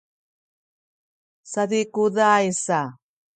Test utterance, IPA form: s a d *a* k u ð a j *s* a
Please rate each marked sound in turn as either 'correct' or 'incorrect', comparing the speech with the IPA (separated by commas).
incorrect, correct